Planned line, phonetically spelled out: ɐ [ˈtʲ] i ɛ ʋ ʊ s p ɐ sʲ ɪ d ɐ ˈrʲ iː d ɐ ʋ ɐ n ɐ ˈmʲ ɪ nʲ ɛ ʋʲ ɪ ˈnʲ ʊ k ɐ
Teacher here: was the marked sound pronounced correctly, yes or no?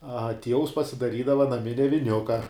yes